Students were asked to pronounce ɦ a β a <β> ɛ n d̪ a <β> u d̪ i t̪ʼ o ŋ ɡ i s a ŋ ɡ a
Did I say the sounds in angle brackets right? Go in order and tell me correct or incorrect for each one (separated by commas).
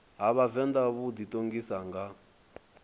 incorrect, correct